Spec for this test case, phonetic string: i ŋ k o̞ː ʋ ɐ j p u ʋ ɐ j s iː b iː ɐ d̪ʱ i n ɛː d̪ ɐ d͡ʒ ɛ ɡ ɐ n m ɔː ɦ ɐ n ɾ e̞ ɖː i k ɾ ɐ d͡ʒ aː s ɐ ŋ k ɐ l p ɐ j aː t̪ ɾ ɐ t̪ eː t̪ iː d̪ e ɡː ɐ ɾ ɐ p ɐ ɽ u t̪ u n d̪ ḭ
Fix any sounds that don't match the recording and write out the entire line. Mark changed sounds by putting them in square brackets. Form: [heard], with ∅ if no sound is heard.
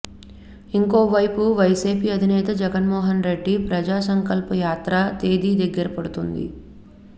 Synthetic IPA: i ŋ k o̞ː ʋ ɐ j p u ʋ ɐ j s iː [p] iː ɐ d̪ʱ i n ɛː [t̪] ɐ d͡ʒ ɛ ɡ ɐ n m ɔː ɦ ɐ n ɾ e̞ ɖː i [p] ɾ ɐ d͡ʒ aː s ɐ ŋ k ɐ l p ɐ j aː t̪ ɾ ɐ t̪ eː [d̪] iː d̪ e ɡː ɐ ɾ ɐ p ɐ ɽ u t̪ u n d̪ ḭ